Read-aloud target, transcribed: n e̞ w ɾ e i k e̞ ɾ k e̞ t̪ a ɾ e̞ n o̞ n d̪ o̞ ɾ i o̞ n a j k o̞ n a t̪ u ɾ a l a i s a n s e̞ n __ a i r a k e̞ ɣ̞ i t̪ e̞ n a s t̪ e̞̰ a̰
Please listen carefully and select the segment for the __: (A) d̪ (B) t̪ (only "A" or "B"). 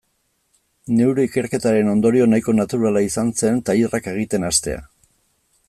B